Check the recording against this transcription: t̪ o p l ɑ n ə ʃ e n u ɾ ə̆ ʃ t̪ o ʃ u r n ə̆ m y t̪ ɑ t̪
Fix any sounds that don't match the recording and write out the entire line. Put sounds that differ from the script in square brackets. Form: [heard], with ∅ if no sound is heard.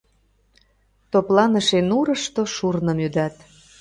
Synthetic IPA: t̪ o p l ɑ n ə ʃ e n u ɾ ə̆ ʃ t̪ o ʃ u r n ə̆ m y [d̪] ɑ t̪